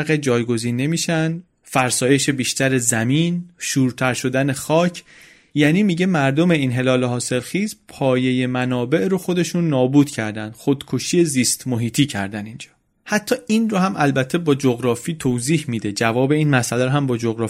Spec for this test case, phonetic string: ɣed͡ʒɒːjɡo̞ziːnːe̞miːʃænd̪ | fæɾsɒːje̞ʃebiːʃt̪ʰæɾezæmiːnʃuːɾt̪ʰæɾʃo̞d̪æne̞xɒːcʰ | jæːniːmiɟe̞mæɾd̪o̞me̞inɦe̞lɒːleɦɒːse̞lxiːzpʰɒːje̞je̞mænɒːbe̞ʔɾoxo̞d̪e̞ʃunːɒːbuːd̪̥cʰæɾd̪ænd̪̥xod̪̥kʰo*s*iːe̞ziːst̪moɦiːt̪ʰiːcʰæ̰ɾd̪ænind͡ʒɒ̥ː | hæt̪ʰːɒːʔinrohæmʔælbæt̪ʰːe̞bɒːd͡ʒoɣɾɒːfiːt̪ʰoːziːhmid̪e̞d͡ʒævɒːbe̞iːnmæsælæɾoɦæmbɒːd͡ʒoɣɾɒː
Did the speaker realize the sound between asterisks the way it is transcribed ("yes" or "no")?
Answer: no